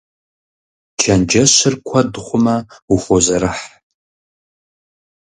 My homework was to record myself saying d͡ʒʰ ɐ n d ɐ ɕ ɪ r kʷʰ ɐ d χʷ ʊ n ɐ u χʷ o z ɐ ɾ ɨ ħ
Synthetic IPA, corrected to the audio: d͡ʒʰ ɐ n d͡ʒ ɐ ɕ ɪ r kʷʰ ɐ d χʷ ʊ m ɐ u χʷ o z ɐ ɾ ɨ ħ

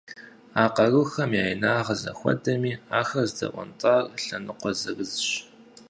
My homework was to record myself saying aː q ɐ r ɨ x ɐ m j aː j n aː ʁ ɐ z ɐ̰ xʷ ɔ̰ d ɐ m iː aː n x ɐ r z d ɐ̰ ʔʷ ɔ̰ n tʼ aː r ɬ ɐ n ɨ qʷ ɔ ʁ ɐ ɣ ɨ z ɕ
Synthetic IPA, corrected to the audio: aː q ɐ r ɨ x ɐ m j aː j n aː ʁ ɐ z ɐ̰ xʷ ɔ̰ d ɐ m iː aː x ɐ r z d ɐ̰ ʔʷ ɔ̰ n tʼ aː r ɬ ɐ n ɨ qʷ ɔ z ɐ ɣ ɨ z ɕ

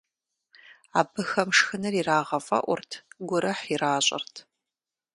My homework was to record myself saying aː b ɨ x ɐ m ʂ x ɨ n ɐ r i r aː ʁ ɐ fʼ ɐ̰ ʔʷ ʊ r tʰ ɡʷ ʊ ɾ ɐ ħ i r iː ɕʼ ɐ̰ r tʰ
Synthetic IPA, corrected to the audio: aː b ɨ x ɐ m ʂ x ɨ n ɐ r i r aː ʁ ɐ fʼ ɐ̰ ʔʷ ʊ r tʰ ɡʷ ʊ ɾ ɐ ħ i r aː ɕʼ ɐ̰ r tʰ

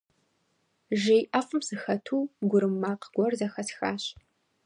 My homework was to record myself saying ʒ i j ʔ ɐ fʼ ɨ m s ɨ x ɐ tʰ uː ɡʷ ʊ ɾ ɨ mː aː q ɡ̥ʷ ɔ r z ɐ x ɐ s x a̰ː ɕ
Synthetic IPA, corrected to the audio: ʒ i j ʔ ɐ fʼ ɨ m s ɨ x ɐ tʰ uː ɡʷ ʊ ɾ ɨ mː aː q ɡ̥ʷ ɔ r z ɐ x ɐ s x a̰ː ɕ

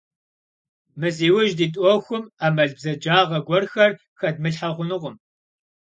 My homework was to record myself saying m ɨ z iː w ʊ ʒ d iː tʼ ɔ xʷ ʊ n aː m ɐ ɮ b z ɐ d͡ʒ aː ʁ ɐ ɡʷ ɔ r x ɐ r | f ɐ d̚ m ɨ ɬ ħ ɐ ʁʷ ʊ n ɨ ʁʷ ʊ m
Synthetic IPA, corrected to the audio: m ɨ z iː w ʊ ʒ d iː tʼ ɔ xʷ ʊ m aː m ɐ ɮ b z ɐ d͡ʒ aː ʁ ɐ ɡʷ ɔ r x ɐ r | x ɐ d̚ m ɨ ɬ ħ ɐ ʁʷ ʊ n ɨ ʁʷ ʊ m

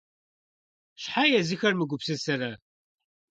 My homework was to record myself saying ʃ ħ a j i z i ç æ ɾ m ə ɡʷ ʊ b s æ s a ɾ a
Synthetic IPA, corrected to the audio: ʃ ħ a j æ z i ç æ ɾ m ə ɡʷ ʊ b s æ s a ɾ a

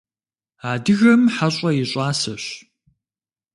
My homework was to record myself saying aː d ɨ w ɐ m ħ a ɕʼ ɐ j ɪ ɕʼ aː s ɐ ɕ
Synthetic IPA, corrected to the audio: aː d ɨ ɣ ɐ m ħ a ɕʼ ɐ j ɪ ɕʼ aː s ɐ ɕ

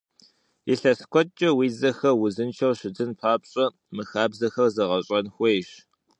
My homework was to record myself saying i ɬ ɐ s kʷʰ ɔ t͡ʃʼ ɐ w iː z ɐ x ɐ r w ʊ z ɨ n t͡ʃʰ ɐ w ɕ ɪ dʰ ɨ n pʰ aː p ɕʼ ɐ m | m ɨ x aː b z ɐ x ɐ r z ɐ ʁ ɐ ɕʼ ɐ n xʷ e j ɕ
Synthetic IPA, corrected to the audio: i ɬ ɐ s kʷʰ ɔ t͡ʃʼ ɐ w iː z ɐ x ɐ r w ʊ z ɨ n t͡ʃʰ ɐ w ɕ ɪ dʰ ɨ n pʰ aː p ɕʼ ɐ | m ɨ x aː b z ɐ x ɐ r z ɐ ʁ ɐ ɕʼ ɐ n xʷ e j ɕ

